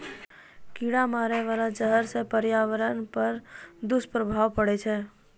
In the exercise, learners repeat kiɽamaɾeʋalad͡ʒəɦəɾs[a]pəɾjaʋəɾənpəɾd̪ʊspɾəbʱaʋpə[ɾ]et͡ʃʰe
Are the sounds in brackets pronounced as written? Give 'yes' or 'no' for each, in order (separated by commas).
no, no